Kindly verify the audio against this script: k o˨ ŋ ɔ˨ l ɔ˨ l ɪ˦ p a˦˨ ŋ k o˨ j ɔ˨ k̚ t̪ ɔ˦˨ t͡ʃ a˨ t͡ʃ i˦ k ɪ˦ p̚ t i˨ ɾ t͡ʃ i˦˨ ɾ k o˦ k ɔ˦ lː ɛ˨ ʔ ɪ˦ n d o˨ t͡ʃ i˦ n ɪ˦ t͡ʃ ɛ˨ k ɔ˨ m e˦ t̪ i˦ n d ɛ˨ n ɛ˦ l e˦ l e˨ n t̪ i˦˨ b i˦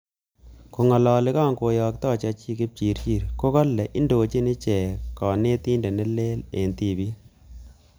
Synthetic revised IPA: k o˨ ŋ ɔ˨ l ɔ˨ l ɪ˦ k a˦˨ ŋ k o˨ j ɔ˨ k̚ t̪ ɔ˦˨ t͡ʃ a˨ t͡ʃ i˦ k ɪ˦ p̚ t͡ʃ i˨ ɾ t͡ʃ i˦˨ ɾ k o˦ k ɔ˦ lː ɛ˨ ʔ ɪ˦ n d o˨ t͡ʃ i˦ n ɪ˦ t͡ʃ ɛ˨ k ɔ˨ n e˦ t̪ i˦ n d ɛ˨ n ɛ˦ l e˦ l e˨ n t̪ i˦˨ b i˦